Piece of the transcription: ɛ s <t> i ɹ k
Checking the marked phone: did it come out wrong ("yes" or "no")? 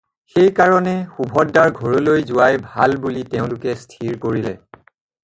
yes